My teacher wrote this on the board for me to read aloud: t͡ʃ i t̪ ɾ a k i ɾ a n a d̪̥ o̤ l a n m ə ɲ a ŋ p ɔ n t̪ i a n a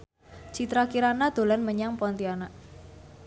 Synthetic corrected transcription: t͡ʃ i t̪ ɾ a k i ɾ a n a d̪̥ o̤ l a n m ə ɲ a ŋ p ɔ n t̪ i a n a